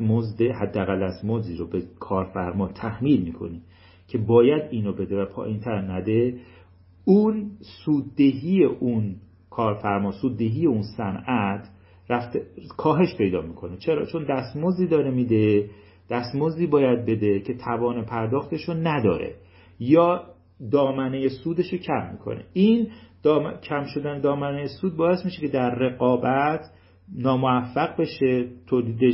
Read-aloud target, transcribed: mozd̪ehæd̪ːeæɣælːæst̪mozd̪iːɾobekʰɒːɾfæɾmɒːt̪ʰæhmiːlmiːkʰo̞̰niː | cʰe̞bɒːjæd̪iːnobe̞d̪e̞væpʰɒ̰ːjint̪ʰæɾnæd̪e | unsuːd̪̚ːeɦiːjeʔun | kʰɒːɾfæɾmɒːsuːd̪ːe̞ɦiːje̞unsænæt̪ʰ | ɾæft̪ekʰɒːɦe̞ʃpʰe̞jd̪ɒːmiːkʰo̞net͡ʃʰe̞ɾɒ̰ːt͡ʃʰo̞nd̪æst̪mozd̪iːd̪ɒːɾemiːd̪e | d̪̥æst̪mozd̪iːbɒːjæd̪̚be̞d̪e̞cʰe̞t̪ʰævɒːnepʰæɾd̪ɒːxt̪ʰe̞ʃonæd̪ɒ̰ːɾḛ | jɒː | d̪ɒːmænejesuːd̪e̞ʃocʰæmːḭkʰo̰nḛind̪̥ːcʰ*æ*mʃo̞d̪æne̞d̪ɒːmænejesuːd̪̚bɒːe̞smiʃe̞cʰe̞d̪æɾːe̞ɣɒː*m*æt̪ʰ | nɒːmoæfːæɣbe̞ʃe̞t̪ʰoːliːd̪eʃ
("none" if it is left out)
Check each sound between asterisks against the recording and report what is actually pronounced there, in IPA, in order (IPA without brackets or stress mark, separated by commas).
æ, b